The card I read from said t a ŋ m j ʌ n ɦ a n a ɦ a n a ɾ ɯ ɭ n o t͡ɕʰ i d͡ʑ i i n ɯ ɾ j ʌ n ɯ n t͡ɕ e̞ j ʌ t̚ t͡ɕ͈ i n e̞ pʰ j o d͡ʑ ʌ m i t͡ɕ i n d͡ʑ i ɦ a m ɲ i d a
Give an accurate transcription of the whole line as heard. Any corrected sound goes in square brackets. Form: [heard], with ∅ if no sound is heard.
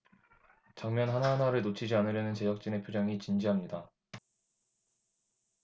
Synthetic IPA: [t͡ɕ] a ŋ m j ʌ n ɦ a n a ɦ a n a ɾ ɯ ɭ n o t͡ɕʰ i d͡ʑ i [a] n ɯ ɾ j ʌ n ɯ n t͡ɕ e̞ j ʌ [k̚] t͡ɕ͈ i n e̞ pʰ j o d͡ʑ ʌ [ŋ] i t͡ɕ i n d͡ʑ i ɦ a m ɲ i d a